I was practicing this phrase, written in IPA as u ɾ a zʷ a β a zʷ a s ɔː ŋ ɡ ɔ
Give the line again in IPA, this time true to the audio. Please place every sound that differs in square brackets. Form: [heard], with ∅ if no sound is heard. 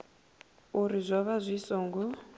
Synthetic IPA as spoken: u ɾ [i] zʷ a β a zʷ [i] s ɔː ŋ ɡ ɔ